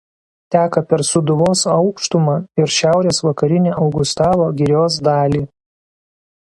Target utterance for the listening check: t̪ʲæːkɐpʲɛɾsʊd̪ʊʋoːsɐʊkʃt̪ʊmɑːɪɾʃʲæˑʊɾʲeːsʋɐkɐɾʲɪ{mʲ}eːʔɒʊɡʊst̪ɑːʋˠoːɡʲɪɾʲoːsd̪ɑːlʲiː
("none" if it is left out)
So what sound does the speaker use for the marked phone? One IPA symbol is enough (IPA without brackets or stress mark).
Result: nʲ